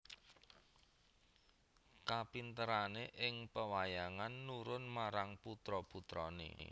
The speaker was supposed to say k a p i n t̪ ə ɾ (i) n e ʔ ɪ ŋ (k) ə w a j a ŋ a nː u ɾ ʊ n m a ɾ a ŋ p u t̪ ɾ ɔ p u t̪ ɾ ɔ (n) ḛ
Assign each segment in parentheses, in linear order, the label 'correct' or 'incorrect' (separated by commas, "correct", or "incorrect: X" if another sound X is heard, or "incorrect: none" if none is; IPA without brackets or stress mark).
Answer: incorrect: a, incorrect: p, correct